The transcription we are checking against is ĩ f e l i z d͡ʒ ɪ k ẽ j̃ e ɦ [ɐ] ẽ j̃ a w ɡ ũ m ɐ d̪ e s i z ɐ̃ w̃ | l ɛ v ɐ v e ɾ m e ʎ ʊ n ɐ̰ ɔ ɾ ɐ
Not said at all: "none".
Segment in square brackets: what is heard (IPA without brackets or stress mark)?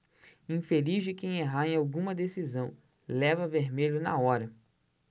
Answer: a